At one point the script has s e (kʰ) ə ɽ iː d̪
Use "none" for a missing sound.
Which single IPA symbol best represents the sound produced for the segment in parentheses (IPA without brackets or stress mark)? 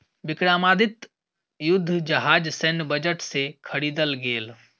kʰ